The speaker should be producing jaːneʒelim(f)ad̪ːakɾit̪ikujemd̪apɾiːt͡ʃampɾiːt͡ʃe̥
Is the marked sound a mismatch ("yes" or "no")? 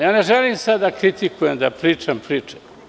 yes